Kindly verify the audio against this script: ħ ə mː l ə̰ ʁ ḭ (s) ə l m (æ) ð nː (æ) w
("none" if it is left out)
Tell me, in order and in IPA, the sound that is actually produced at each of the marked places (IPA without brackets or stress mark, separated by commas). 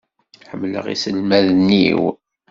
s, æ, i